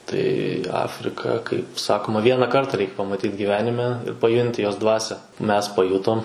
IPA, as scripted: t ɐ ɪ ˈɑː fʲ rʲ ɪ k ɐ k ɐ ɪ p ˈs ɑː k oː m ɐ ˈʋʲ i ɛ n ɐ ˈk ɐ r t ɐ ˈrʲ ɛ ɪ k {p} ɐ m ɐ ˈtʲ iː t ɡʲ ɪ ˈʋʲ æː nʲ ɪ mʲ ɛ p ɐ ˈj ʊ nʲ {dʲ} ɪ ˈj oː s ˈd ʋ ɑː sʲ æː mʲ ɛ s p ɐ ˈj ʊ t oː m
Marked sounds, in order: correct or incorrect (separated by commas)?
correct, incorrect